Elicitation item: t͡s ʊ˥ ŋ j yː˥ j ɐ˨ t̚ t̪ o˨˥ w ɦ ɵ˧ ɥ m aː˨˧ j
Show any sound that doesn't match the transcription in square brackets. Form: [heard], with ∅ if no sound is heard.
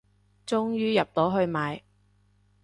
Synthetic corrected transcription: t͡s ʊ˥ ŋ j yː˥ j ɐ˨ [p̚] t̪ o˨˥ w ɦ ɵ˧ ɥ m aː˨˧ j